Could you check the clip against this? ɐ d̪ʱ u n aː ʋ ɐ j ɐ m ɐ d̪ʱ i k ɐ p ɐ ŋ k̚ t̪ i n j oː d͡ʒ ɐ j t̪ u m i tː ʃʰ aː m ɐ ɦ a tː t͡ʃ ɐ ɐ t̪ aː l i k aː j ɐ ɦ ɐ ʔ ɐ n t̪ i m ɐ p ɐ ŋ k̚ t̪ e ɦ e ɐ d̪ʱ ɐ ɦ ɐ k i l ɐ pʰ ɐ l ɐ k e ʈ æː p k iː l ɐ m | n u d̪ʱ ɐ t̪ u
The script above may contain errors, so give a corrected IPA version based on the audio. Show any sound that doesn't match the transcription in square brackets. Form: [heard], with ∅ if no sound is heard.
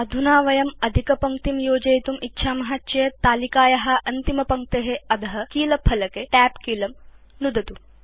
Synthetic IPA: ɐ d̪ʱ u n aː ʋ ɐ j ɐ m ɐ d̪ʱ i k ɐ p ɐ ŋ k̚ t̪ i [m] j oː d͡ʒ ɐ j t̪ u m i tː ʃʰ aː m ɐ ɦ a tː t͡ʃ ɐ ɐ t̪ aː l i k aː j ɐ ɦ ɐ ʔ ɐ n t̪ i m ɐ p ɐ ŋ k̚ t̪ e ɦ e ɐ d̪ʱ ɐ ɦ ɐ k [iː] l ɐ pʰ ɐ l ɐ k e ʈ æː p k iː l ɐ m | n u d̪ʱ ɐ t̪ u